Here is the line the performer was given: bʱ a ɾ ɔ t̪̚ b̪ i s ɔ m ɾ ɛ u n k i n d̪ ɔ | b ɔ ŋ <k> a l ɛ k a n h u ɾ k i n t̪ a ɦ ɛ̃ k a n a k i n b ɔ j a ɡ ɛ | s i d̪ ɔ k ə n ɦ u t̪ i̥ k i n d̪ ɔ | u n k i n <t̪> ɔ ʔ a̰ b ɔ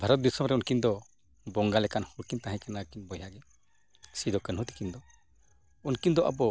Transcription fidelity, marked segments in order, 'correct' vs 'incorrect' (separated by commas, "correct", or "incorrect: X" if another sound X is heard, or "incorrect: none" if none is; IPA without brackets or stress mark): incorrect: ɡ, incorrect: d̪